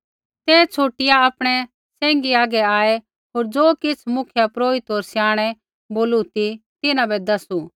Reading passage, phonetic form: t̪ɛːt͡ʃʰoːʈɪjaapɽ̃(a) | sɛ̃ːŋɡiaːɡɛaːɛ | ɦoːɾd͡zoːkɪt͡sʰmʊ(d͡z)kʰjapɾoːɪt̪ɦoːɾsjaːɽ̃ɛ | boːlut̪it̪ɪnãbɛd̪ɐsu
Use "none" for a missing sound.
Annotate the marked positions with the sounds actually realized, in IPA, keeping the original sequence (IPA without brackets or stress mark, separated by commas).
ɛ, none